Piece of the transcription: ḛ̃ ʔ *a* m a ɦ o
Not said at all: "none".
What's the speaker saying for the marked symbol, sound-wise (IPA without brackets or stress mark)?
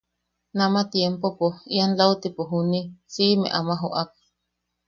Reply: a